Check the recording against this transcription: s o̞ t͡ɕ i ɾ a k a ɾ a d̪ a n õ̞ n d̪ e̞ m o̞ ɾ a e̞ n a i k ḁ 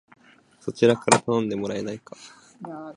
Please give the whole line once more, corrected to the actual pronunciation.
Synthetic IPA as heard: s o̞ t͡ɕ i ɾ a k a ɾ a t̪ a n õ̞ n d̪ e̞ m o̞ ɾ a e̞ n a i k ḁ